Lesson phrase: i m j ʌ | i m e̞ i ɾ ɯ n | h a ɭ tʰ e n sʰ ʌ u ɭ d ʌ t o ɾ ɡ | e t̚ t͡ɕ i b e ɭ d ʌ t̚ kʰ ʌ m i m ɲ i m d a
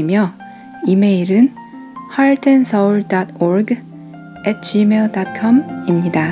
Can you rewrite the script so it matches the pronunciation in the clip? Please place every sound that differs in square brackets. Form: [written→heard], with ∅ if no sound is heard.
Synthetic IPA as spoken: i m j ʌ | i m e̞ i ɾ ɯ n | h a ɭ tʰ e n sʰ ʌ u ɭ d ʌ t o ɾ ɡ | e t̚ t͡ɕ i [b→m] e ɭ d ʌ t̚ kʰ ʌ m i m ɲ i [m→∅] d a